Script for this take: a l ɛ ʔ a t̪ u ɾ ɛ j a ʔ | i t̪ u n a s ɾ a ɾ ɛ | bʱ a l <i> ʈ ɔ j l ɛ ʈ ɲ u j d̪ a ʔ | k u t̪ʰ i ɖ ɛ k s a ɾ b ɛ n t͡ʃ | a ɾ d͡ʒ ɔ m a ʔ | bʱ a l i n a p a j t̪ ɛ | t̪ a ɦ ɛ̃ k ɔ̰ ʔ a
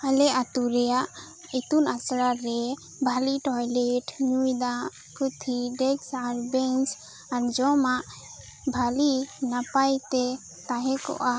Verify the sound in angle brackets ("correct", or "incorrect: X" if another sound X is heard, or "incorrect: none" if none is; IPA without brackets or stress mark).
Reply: correct